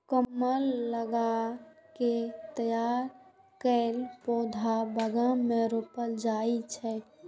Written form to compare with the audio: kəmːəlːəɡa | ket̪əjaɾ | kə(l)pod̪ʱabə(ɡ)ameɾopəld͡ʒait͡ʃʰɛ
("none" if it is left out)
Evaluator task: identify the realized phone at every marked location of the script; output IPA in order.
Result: l, ɡ

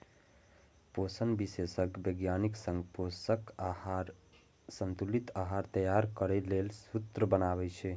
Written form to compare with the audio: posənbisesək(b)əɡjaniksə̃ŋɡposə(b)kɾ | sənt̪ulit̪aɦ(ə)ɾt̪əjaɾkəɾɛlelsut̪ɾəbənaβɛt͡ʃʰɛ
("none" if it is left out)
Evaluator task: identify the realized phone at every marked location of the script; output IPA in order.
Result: b, none, a

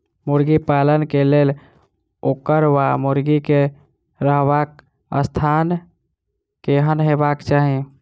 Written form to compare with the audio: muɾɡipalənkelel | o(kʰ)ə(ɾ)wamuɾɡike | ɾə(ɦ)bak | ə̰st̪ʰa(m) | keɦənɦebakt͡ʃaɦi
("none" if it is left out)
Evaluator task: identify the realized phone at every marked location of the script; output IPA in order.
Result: k, ɾ, ɦ, n

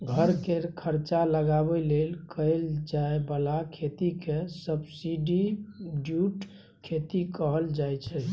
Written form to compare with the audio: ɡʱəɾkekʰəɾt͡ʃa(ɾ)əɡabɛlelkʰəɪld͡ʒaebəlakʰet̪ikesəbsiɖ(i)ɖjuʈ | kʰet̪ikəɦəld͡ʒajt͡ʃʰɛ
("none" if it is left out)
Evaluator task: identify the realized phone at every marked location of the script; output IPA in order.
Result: l, i

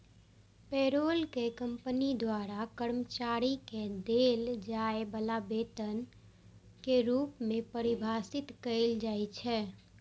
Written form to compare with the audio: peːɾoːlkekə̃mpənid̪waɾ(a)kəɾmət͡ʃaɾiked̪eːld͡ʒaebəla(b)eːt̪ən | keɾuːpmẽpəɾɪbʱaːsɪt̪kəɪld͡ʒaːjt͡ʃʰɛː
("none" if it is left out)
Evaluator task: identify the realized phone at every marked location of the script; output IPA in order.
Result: a, b

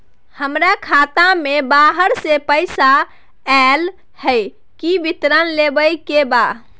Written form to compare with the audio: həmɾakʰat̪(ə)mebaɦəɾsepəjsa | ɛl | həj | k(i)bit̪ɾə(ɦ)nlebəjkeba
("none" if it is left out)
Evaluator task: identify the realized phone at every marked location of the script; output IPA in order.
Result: a, i, none

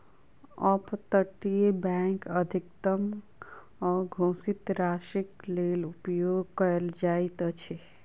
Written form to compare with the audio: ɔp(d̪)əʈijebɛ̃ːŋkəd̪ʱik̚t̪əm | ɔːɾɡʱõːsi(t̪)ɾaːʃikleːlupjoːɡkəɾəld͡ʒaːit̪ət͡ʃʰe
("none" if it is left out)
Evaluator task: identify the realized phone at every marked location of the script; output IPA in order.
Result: t̪, t̪

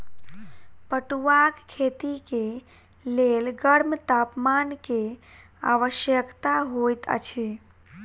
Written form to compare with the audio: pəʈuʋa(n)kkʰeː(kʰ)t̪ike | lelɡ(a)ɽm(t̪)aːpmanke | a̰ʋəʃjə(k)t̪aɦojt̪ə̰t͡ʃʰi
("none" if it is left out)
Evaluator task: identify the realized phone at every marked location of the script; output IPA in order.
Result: none, none, ə, t̪, k

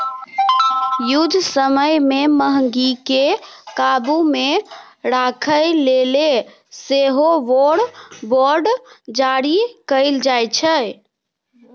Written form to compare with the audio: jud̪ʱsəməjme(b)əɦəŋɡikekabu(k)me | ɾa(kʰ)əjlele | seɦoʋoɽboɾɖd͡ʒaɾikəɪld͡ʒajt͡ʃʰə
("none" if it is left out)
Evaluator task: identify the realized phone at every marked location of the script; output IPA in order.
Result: m, none, kʰ

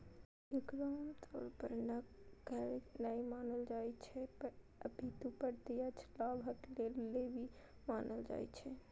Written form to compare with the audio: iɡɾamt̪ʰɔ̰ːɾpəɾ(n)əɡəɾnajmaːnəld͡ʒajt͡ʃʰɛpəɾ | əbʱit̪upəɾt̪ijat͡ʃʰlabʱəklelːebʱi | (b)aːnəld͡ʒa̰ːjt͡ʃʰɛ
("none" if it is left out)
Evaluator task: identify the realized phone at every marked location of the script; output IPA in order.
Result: n, m

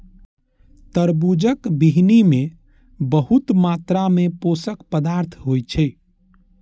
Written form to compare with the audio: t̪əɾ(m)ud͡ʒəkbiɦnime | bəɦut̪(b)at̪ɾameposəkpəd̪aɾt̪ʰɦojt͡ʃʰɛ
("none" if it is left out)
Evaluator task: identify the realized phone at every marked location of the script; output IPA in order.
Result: b, m

